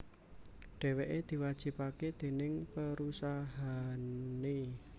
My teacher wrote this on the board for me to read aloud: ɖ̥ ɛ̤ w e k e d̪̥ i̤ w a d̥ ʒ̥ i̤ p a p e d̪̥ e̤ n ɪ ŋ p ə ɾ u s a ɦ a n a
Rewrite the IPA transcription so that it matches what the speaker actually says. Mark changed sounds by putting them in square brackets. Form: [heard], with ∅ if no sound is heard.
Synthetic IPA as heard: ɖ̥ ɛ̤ w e [ʔ] e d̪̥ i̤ w a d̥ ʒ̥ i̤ p a [k] e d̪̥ e̤ n ɪ ŋ p ə ɾ u s a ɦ a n [e]